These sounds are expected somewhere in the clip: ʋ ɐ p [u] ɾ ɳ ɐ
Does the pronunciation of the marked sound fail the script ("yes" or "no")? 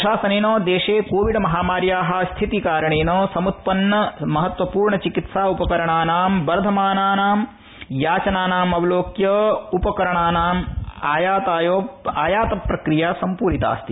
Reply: yes